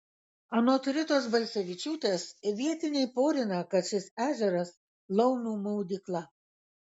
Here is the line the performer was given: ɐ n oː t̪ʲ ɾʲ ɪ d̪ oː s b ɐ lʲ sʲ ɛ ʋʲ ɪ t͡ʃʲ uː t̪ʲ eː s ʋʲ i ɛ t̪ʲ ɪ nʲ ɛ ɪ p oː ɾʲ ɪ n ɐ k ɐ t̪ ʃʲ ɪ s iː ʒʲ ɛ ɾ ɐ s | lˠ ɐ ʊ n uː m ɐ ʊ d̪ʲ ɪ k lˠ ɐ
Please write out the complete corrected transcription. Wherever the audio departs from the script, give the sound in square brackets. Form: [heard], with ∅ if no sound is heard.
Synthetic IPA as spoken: ɐ n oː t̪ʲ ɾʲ ɪ [t̪] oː s b ɐ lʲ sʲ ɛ ʋʲ ɪ t͡ʃʲ uː t̪ʲ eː s ʋʲ i ɛ t̪ʲ ɪ nʲ ɛ ɪ p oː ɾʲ ɪ n ɐ k ɐ t̪ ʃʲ ɪ s [æː] ʒʲ ɛ ɾ ɐ s | lˠ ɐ ʊ n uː m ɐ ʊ d̪ʲ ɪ k lˠ ɐ